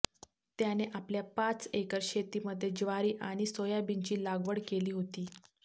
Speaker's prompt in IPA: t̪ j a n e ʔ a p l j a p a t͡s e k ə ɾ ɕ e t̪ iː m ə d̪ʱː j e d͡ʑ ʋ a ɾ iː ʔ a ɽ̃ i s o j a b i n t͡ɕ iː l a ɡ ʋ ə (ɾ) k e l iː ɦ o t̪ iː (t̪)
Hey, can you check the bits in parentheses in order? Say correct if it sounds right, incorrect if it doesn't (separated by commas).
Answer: incorrect, incorrect